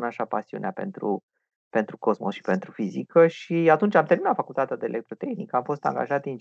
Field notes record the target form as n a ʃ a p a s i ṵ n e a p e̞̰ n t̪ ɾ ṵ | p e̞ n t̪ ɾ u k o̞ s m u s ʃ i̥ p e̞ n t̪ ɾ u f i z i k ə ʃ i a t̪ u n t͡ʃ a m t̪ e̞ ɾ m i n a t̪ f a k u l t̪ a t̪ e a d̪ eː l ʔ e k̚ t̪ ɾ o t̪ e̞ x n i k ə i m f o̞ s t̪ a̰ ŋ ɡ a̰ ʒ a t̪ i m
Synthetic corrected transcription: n a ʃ a p a s i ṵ n e a p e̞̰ n t̪ ɾ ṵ | p e̞ n t̪ ɾ u k o̞ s m o s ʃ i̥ p e̞ n t̪ ɾ u f i z i k ə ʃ i a t̪ u n t͡ʃ a m t̪ e̞ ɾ m i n a t̪ f a k u l t̪ a t̪ e a d̪ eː l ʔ e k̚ t̪ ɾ o t̪ e̞ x n i k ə a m f o̞ s t̪ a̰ ŋ ɡ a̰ ʒ a t̪ i n